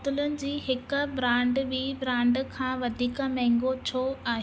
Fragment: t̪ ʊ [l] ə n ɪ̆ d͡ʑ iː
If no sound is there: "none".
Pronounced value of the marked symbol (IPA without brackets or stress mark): l